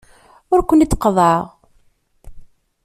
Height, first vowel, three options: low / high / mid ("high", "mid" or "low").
high